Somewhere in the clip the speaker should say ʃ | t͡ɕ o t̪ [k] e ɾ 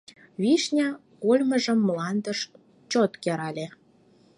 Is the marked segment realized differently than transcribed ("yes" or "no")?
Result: no